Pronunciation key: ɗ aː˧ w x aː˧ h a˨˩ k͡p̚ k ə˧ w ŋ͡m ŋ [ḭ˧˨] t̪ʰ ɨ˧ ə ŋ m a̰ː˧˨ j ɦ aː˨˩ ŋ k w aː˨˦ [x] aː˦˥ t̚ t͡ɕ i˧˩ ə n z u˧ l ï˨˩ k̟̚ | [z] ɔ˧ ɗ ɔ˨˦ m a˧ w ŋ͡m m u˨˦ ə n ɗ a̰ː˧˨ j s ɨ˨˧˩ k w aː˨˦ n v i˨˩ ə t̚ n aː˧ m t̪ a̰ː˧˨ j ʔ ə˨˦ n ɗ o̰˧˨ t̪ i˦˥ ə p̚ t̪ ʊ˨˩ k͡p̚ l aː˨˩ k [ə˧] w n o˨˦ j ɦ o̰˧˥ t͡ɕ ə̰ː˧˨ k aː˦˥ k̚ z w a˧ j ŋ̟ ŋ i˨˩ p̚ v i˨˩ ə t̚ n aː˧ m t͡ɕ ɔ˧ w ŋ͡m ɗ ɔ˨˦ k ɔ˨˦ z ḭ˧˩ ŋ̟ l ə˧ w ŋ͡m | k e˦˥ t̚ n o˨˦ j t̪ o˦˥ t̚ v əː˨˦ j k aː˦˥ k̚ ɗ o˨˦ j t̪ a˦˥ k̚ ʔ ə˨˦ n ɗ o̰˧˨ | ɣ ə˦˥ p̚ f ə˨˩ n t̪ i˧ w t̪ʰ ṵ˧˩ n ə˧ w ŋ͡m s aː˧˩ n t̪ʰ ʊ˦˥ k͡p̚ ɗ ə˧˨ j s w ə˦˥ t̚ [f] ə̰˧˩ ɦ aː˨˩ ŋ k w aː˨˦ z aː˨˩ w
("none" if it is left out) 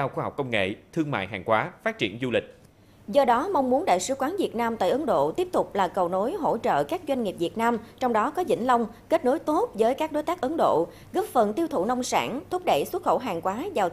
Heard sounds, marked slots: ḛ˧˨, f, z, ə˨˩, x

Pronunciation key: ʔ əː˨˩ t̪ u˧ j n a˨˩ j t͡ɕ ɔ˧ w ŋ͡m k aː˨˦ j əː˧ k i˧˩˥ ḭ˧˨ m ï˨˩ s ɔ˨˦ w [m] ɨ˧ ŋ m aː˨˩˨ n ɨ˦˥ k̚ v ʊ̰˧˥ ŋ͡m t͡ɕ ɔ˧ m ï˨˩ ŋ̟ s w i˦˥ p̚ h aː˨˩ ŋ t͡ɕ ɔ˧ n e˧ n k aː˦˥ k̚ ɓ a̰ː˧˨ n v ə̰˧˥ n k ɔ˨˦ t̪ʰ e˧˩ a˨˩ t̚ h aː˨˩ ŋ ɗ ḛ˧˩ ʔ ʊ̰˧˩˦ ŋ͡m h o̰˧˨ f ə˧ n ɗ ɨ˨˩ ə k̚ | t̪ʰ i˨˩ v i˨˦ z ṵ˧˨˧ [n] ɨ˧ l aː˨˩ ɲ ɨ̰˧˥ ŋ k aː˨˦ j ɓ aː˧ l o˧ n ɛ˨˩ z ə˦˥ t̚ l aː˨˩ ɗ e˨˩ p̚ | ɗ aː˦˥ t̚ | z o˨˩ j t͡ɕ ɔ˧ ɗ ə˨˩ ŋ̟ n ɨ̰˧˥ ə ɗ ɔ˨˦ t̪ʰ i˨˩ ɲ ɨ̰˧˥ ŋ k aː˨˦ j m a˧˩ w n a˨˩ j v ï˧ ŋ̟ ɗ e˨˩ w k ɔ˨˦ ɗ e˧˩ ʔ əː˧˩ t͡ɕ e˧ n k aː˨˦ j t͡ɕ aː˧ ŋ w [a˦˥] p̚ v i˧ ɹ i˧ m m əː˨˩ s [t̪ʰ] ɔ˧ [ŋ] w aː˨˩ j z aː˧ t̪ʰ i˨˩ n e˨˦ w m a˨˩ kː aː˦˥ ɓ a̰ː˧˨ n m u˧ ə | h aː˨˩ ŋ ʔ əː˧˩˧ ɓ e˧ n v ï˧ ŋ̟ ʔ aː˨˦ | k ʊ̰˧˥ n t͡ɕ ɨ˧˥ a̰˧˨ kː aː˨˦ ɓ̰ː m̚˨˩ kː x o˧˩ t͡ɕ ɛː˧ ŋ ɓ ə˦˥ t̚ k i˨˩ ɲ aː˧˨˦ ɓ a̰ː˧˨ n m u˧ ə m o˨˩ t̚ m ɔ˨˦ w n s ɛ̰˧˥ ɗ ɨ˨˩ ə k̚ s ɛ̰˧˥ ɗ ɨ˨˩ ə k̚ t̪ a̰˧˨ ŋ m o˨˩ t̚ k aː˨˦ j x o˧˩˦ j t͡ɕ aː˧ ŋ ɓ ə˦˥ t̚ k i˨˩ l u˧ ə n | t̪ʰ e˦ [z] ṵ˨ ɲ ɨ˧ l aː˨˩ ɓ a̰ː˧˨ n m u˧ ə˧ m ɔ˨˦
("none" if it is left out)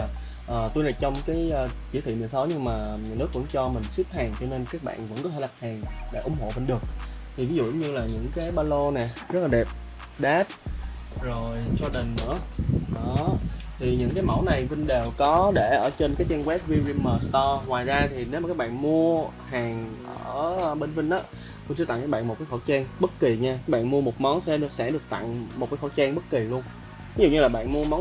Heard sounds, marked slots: ɲ, ɲ, ɛ˦˥, t̪, ŋ, z

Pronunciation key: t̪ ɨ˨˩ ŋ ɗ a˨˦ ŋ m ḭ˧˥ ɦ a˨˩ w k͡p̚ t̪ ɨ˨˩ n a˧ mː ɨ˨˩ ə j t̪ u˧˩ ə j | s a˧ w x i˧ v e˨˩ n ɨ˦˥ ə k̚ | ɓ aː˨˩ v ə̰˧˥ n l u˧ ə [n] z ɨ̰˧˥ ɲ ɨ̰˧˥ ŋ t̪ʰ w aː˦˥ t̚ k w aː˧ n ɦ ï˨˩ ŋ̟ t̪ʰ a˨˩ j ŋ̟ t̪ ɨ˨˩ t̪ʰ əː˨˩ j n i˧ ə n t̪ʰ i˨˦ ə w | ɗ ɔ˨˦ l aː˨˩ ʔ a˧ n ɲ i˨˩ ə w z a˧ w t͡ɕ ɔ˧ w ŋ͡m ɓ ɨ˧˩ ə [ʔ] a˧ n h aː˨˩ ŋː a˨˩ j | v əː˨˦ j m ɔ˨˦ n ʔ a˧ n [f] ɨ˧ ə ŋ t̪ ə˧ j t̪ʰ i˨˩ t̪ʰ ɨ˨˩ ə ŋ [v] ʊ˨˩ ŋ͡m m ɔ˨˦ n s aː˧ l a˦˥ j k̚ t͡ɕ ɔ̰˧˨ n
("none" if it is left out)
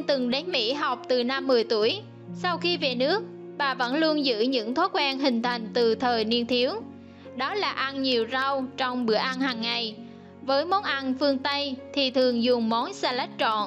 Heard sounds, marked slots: n, ʔ, f, z

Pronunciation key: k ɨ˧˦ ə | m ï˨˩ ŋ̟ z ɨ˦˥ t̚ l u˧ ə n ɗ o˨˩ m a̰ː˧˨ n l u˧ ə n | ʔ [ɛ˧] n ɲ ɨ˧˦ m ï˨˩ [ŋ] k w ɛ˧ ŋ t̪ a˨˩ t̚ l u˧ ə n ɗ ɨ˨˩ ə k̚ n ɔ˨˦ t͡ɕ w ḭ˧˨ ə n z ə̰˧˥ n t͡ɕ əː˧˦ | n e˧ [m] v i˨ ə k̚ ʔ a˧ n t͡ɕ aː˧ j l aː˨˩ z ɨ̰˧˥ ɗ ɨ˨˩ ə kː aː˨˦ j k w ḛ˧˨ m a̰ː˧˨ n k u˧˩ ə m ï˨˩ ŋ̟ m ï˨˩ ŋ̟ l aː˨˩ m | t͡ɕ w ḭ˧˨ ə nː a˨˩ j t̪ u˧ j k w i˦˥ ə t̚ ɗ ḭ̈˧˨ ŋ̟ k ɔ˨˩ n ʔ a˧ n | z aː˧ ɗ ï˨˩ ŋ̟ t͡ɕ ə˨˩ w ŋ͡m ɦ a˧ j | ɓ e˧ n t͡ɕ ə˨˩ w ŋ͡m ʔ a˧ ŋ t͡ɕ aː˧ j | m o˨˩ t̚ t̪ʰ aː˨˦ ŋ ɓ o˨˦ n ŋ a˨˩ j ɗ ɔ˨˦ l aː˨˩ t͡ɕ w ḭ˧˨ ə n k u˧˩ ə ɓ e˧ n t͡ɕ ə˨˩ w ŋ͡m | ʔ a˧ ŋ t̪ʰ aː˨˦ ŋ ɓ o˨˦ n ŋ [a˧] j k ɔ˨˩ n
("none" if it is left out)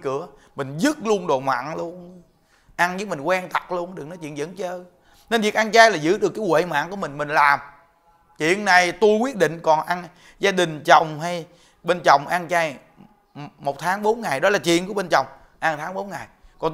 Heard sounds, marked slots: a˧, ŋ, n, a˨˩

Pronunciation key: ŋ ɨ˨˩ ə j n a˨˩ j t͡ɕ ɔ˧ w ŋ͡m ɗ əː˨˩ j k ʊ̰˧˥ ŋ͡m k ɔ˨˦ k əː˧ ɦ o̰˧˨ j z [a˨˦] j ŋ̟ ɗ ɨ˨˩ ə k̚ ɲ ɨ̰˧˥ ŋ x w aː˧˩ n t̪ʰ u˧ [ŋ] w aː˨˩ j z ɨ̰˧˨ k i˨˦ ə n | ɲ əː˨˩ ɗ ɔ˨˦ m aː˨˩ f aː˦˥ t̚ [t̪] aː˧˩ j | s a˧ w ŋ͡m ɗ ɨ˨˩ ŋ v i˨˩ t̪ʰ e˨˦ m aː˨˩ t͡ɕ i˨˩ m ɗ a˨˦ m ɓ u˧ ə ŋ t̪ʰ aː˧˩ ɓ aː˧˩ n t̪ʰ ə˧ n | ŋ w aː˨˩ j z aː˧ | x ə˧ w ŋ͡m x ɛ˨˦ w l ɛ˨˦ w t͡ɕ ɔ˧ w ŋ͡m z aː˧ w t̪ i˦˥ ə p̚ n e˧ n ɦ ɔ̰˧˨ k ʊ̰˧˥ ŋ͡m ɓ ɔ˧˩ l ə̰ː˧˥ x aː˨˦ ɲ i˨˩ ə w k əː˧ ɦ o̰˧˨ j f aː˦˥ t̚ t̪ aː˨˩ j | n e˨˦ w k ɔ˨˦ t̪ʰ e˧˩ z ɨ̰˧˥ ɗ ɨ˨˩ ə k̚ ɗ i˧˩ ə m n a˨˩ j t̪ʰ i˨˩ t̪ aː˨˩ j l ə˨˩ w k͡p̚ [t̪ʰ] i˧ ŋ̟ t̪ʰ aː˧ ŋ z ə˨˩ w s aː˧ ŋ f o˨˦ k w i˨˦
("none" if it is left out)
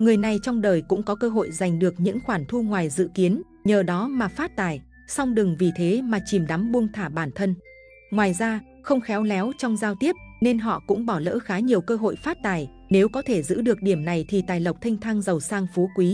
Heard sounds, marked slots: a˨˩, ŋ, t̪, t̪ʰ

